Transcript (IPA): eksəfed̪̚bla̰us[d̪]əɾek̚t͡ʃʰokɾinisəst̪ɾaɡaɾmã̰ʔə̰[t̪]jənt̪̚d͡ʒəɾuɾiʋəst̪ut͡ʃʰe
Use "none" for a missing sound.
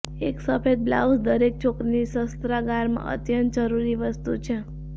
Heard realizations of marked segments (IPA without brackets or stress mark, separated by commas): d̪, t̪